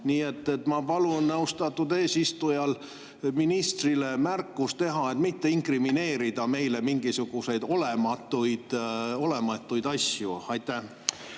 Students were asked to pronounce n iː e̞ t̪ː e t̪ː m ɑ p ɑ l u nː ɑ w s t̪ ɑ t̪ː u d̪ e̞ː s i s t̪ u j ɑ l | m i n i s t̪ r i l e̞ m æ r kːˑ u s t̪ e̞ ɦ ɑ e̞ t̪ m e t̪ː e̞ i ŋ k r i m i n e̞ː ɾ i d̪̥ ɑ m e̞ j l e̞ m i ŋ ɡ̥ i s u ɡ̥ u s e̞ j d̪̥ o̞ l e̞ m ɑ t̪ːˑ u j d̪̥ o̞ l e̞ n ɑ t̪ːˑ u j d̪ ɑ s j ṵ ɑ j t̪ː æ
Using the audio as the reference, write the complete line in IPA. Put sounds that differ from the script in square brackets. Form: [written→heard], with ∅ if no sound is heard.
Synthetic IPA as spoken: n iː e̞ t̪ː e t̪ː m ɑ p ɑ l u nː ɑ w s t̪ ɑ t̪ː u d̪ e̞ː s i s t̪ u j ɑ l | m i n i s t̪ r i l e̞ m æ r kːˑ u s t̪ e̞ ɦ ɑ e̞ t̪ m [e→i] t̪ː e̞ i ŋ k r i m i n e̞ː ɾ i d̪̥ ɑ m e̞ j l e̞ m i ŋ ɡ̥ i s u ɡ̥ u s e̞ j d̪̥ o̞ l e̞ m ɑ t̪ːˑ u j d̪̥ o̞ l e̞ [n→m] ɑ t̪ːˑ u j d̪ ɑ s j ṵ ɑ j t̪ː æ